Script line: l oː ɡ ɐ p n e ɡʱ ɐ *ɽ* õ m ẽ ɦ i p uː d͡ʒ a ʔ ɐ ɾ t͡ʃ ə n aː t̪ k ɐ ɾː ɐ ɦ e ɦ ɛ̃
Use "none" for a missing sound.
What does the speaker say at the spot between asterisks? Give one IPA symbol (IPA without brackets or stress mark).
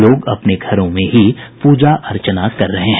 ɾ